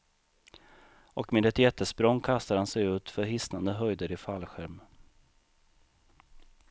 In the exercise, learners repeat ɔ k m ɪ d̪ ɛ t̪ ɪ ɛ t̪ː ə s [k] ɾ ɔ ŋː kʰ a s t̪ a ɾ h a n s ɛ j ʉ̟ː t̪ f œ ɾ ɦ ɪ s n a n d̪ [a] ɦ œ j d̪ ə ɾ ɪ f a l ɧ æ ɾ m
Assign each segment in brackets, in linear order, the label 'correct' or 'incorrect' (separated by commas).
incorrect, incorrect